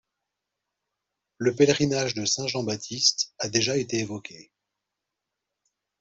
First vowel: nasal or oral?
oral